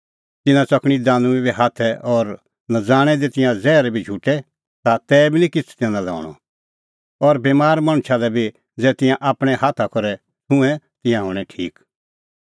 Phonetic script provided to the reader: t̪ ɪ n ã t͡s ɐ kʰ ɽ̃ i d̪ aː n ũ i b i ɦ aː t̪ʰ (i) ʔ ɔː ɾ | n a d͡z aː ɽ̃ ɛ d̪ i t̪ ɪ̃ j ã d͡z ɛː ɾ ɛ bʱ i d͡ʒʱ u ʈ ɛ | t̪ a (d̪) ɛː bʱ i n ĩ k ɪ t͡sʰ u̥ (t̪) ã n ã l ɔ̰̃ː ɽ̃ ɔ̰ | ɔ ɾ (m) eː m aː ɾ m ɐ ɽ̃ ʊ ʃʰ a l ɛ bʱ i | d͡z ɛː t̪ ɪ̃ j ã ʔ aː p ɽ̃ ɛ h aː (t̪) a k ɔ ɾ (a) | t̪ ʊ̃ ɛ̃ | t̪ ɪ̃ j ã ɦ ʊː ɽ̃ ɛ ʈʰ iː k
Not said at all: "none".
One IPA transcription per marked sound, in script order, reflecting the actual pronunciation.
ɛ, t̪, t̪, b, t̪ʰ, ɛ

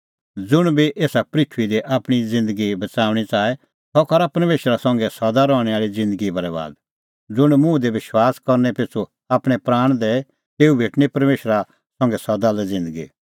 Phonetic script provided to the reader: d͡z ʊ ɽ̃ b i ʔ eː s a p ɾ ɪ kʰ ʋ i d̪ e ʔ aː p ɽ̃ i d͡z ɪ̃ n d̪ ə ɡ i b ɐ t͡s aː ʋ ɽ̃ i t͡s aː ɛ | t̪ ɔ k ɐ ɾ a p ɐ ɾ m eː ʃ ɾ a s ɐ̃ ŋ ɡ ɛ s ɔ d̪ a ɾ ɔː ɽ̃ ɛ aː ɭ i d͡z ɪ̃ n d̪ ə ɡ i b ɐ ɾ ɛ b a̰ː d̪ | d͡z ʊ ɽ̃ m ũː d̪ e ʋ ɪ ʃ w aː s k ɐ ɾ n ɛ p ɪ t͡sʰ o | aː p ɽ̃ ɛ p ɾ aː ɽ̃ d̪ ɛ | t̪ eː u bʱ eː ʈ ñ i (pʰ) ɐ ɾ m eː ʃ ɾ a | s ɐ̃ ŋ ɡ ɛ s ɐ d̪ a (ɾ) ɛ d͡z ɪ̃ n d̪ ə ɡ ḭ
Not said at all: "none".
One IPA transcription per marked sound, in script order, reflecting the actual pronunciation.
p, l

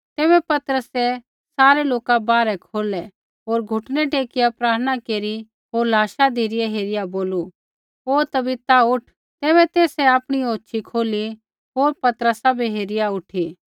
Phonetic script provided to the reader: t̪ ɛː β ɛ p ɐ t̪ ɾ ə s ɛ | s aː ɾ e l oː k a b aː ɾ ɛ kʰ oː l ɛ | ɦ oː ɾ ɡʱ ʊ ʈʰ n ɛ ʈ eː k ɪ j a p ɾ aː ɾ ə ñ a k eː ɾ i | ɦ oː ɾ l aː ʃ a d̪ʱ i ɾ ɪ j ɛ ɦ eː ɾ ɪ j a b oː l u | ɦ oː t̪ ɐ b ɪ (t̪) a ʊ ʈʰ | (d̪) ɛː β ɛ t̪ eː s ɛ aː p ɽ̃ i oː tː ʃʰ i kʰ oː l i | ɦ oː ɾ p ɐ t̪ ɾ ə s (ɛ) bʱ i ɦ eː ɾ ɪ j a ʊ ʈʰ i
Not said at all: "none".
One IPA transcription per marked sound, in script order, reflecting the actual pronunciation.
t̪, t̪, a

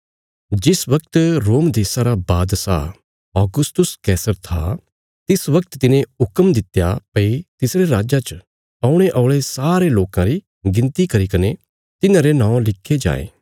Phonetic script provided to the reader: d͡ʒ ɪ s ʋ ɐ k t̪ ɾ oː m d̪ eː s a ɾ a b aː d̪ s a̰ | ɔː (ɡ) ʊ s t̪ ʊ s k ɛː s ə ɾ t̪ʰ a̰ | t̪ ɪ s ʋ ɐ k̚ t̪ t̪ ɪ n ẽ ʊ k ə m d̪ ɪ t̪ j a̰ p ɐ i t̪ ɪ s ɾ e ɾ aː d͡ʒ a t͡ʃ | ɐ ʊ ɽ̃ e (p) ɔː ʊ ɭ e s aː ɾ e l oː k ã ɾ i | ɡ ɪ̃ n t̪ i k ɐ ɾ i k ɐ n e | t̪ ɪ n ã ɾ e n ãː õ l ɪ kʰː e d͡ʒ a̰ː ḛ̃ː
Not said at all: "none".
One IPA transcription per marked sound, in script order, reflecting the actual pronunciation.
ɡ, ʔ

